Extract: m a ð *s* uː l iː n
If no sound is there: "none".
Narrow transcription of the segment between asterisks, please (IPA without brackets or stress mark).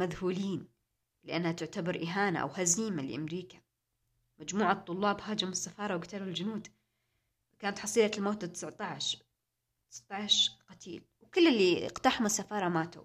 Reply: h